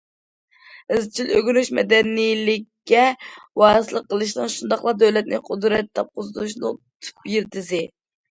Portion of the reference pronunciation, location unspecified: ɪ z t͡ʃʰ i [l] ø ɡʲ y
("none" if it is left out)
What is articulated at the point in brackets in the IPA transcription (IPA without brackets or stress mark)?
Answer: l